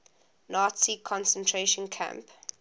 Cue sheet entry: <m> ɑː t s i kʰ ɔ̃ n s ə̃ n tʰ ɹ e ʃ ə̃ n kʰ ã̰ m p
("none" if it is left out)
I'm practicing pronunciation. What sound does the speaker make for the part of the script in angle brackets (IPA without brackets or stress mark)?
n